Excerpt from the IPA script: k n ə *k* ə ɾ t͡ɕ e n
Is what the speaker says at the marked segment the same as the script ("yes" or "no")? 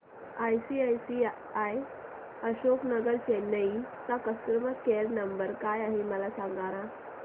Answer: no